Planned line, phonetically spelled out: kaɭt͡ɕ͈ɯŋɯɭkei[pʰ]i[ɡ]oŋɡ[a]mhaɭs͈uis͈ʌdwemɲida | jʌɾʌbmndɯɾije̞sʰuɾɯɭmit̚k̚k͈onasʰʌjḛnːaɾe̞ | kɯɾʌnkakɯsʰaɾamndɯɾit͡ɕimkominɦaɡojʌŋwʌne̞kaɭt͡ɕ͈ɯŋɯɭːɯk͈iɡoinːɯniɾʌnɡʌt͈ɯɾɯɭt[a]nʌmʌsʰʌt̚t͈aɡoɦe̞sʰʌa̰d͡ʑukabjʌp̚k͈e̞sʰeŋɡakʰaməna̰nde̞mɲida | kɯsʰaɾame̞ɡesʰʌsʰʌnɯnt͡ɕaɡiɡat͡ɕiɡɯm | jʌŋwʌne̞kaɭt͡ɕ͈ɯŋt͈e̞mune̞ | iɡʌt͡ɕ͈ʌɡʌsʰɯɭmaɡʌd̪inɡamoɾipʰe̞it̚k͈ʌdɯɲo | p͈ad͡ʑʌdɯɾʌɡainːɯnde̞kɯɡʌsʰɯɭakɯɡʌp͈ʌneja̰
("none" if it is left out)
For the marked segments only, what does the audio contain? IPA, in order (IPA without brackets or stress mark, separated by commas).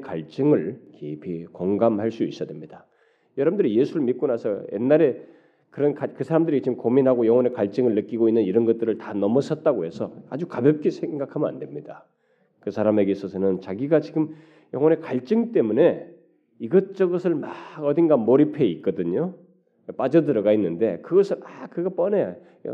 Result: pʰ, k, a, a